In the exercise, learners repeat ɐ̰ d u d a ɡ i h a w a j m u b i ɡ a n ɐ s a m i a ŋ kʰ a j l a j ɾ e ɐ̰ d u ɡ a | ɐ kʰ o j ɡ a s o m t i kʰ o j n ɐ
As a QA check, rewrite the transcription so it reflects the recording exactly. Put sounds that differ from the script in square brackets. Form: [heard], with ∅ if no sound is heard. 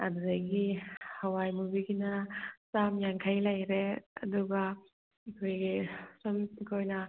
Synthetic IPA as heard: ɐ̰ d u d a ɡ i h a w a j m u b i ɡ [i] n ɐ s a m [j] a ŋ kʰ a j l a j ɾ e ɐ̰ d u ɡ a | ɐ kʰ o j ɡ [i] s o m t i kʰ o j n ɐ